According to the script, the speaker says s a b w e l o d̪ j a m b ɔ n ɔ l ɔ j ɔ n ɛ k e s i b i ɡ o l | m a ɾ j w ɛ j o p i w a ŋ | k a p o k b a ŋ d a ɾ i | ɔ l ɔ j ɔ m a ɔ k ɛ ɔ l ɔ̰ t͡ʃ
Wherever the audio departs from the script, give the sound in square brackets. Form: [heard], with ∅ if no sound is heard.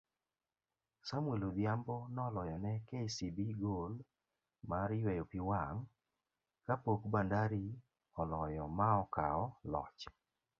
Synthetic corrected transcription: s a [m] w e l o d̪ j a m b ɔ n ɔ l ɔ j ɔ n ɛ k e s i b i ɡ o l | m a ɾ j w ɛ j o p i w a ŋ | k a p o k b a [n] d a ɾ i | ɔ l ɔ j ɔ m a ɔ k [a] ɔ l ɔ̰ t͡ʃ